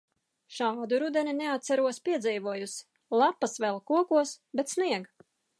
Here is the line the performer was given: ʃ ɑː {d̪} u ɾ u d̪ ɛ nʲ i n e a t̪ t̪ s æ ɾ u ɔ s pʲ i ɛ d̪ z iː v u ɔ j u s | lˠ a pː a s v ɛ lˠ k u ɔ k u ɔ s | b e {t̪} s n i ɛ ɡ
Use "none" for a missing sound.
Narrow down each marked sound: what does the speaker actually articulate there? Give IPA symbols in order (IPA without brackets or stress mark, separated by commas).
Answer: d̪, t̪